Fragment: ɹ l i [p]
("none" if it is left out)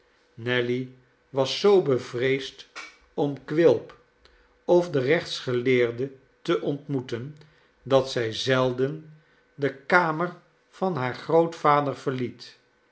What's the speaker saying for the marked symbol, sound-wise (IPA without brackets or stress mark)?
t